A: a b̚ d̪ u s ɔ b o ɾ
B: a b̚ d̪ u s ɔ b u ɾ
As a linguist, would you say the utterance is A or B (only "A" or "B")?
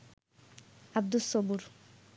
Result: B